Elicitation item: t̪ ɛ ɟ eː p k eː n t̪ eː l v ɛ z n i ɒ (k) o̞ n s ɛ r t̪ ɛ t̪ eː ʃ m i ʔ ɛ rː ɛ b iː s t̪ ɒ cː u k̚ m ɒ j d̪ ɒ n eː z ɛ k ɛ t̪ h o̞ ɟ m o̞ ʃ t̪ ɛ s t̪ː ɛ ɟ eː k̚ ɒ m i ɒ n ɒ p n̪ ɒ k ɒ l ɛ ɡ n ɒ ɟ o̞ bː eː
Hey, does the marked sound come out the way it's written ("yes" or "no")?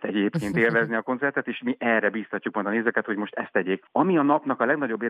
yes